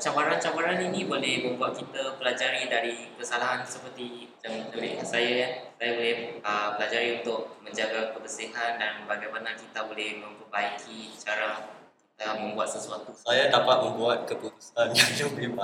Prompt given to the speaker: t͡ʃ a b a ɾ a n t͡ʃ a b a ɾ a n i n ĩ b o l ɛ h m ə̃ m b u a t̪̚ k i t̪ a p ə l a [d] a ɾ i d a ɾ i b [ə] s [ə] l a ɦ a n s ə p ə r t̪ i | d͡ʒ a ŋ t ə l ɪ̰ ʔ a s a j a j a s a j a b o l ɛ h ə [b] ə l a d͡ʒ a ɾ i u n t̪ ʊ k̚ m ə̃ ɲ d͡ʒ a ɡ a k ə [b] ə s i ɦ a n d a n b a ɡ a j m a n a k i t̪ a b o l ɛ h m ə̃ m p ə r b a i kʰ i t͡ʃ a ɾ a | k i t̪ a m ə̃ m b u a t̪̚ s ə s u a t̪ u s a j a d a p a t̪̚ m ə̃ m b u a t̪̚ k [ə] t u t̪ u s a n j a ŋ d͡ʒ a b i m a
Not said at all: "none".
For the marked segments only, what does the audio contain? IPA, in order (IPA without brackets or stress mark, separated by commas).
d͡ʒ, ə, a, p, b, ə